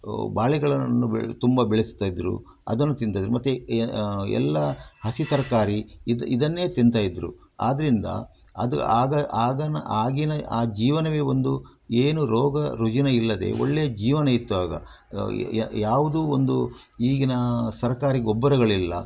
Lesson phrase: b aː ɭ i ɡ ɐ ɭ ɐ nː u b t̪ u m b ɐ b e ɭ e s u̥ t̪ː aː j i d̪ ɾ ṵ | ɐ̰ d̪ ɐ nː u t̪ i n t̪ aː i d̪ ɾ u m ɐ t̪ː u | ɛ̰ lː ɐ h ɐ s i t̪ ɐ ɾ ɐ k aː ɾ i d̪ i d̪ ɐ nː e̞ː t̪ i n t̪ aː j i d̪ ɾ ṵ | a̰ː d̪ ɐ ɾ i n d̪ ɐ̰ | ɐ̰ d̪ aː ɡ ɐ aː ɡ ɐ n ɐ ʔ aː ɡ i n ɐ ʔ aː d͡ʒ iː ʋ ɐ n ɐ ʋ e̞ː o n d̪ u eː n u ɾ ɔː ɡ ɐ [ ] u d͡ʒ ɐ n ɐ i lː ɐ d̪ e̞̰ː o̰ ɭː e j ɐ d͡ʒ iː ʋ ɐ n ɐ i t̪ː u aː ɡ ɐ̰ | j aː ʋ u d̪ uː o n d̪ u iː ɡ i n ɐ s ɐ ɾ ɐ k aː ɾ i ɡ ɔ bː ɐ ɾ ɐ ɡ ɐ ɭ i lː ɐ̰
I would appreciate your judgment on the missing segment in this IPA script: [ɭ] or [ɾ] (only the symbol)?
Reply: ɾ